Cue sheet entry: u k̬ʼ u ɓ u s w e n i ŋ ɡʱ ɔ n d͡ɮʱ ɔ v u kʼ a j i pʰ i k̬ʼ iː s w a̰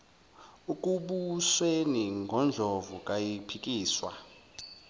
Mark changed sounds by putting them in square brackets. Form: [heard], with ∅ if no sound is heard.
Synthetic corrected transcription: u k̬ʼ u ɓ u s w e n i ŋ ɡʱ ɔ n d͡ɮʱ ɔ v u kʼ a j i pʰ i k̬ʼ iː s w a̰